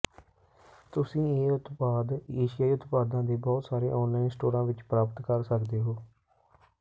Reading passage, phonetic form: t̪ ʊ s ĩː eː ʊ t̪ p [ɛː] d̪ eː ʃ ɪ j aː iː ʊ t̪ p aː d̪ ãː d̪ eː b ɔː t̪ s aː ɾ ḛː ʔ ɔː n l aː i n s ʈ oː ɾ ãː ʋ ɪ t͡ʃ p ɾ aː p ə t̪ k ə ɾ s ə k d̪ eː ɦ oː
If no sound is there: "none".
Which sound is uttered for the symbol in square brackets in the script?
aː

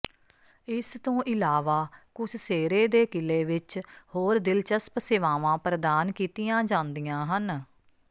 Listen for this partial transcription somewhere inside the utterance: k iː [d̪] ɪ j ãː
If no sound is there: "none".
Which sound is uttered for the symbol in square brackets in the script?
t̪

